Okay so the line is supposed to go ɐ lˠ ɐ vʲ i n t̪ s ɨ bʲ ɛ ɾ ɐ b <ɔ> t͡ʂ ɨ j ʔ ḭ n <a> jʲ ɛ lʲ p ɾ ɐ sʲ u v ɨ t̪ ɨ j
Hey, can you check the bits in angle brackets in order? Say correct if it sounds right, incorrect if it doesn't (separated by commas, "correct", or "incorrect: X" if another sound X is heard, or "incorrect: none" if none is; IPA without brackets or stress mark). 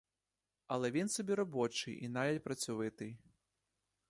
correct, correct